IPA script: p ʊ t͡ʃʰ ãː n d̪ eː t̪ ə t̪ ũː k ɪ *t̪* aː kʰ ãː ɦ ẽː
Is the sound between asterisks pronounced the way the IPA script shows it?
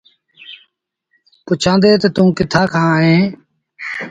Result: no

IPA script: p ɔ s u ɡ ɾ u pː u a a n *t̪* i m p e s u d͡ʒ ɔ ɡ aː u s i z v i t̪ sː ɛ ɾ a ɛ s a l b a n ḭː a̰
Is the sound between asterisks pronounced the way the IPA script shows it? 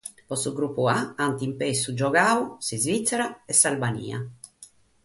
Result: yes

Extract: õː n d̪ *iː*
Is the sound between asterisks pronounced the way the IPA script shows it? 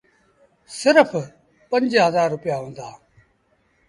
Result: no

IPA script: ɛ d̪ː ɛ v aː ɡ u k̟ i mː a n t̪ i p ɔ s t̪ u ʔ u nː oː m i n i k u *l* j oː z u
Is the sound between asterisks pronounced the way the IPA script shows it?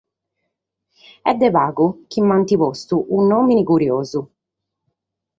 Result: no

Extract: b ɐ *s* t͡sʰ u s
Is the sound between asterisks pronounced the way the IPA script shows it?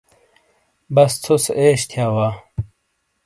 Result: yes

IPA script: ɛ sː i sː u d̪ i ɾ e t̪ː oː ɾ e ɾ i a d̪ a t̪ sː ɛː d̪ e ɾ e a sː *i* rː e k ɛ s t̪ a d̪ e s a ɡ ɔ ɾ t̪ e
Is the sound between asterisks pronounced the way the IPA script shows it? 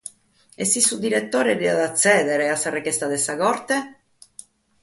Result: no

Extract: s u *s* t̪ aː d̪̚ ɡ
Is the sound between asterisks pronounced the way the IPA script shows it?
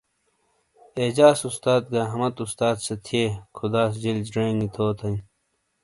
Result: yes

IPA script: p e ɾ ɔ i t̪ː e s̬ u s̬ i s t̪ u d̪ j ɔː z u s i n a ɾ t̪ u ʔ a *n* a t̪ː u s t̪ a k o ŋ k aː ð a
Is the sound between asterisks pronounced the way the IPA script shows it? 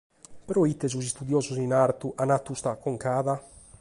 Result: yes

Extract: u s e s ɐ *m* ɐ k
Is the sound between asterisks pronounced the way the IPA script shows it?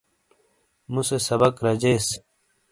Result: no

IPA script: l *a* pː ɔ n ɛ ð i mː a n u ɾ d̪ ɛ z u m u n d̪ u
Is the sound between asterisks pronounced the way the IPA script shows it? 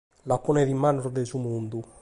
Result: yes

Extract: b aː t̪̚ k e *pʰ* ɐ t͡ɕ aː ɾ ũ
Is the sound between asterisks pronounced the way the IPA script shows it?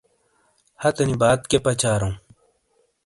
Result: no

